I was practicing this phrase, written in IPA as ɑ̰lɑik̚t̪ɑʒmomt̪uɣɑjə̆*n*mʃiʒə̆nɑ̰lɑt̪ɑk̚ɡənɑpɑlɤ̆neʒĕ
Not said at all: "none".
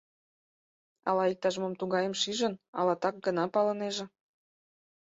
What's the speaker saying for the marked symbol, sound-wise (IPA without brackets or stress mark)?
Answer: none